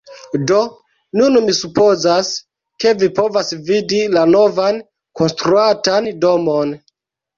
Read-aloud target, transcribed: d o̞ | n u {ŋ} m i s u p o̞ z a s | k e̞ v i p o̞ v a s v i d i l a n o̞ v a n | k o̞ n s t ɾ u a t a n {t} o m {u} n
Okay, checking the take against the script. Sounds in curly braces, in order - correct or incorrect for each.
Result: incorrect, incorrect, incorrect

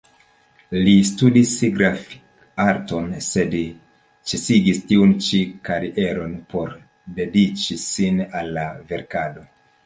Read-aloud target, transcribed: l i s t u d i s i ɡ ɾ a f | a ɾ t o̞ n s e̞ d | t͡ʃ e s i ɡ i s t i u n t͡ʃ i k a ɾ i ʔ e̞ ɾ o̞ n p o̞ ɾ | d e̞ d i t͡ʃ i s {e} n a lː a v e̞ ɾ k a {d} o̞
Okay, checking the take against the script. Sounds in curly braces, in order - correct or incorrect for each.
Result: incorrect, correct

